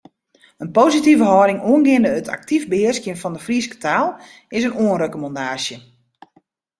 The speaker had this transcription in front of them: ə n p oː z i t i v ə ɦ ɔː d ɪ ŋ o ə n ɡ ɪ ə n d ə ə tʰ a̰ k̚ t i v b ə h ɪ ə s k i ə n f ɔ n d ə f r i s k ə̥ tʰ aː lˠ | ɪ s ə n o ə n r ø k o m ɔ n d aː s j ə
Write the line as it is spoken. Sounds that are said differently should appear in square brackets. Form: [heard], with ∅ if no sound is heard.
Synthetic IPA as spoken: ə n p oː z i t i v ə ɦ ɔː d ɪ ŋ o ə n ɡ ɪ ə n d ə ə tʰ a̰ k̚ t i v b ə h ɪ ə s k [j] ə n f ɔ n d ə f r i s k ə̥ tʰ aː lˠ | ɪ s ə n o ə n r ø k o m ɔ n d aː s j ə

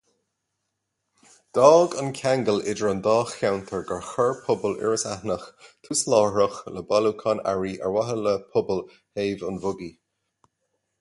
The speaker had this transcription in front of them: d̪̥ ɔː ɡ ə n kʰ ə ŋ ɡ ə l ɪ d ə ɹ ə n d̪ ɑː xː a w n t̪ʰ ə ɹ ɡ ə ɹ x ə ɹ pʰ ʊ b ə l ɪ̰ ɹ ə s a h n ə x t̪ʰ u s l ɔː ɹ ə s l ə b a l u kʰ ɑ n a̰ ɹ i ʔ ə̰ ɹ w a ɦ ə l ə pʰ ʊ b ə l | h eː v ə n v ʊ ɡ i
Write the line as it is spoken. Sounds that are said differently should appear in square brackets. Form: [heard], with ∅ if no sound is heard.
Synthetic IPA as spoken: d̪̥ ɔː ɡ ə n kʰ [a] ŋ ɡ ə l ɪ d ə ɹ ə n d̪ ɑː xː a w n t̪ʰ ə ɹ ɡ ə ɹ x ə ɹ pʰ ʊ b ə l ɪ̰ ɹ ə s a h n ə x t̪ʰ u s l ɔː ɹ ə [x] l ə b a l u kʰ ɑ n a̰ ɹ i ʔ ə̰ ɹ w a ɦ ə l ə pʰ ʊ b ə l | h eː v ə n v ʊ ɡ i

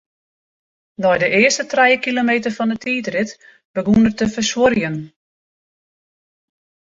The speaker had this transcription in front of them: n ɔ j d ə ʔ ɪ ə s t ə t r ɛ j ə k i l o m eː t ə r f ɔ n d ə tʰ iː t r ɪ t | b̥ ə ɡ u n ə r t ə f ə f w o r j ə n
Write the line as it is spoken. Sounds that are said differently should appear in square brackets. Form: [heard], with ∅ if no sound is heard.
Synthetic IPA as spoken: n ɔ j d ə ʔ ɪ ə s t ə t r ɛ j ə k i l o m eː t ə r f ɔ n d ə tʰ iː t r ɪ t | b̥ ə ɡ u n ə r t ə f ə [s] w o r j ə n

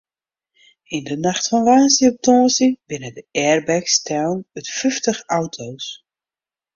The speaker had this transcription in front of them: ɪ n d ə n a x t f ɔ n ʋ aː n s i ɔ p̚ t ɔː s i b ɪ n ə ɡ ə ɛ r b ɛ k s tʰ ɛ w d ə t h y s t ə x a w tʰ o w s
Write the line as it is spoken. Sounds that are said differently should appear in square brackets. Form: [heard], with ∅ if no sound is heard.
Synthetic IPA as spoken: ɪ n d ə n a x t f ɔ n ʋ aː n s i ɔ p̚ t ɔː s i b ɪ n ə [d] ə ɛ r b ɛ k s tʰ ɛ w [n] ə t [f] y [f] t ə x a w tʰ o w s

